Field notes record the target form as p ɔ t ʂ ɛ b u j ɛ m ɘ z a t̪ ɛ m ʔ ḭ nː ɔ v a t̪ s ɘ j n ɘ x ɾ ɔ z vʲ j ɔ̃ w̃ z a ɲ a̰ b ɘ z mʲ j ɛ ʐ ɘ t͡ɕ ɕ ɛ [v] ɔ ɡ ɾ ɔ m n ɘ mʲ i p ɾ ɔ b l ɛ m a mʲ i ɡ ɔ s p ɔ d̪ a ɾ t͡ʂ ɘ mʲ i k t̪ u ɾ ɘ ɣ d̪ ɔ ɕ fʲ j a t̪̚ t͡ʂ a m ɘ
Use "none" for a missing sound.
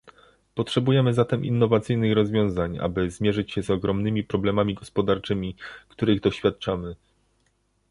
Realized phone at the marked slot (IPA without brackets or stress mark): z